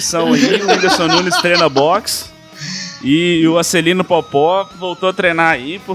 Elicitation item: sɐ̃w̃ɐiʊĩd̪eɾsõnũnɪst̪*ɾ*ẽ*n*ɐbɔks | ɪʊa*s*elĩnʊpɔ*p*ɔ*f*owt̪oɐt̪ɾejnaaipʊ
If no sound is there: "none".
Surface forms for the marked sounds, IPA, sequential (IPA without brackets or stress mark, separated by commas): ɾ, n, s, p, v